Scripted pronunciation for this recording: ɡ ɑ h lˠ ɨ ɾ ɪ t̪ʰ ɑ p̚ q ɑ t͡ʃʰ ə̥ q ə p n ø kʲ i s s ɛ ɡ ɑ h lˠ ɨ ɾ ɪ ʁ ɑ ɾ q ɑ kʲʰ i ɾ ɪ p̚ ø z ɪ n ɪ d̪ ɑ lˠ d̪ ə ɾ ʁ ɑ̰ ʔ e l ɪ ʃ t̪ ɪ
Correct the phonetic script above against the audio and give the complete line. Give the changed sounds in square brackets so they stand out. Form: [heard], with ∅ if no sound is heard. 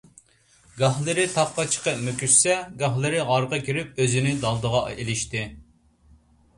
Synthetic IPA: ɡ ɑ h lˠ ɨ ɾ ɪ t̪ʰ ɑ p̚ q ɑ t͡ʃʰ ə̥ q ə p [m] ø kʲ [y] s s ɛ ɡ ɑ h lˠ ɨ ɾ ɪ ʁ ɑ ɾ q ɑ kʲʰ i ɾ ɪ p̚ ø z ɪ n ɪ d̪ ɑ lˠ d̪ ə [∅] ʁ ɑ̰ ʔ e l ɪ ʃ t̪ ɪ